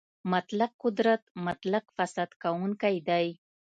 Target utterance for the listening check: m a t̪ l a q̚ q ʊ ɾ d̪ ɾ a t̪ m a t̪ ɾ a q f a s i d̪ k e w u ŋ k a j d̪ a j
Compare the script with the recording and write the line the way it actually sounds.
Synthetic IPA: m a t̪ l a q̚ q ʊ d̪ ɾ a t̪ m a t̪ l a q f a s a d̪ k a w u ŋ k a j d̪ a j